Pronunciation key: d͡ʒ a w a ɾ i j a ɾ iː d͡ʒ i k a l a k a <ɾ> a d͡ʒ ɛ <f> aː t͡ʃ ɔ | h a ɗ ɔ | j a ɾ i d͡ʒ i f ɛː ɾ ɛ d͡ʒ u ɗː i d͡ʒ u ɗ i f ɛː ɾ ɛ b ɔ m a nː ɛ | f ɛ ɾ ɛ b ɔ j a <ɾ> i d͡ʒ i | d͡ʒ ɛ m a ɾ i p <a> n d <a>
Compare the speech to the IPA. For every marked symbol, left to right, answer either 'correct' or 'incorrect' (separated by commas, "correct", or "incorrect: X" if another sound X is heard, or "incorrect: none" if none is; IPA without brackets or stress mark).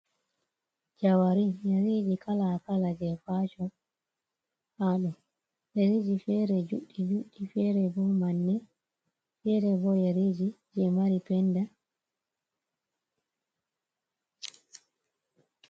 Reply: incorrect: l, correct, correct, incorrect: ɛ, correct